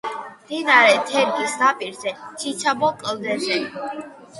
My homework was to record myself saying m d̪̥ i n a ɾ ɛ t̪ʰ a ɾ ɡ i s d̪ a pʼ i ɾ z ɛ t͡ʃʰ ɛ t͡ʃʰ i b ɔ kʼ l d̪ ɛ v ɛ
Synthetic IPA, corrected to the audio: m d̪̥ i n a ɾ ɛ t̪ʰ ɛ ɾ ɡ i s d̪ a pʼ i ɾ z ɛ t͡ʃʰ i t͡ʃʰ a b ɔ kʼ l d̪ ɛ z ɛ